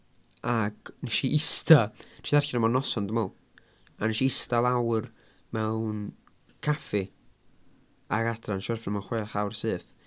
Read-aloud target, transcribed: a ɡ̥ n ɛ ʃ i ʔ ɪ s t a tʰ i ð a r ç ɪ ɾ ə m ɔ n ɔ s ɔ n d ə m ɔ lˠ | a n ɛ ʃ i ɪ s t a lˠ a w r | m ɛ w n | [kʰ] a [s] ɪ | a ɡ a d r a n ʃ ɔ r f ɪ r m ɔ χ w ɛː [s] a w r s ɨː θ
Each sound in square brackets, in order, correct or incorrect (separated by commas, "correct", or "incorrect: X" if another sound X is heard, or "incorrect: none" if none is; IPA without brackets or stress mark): correct, incorrect: f, incorrect: χ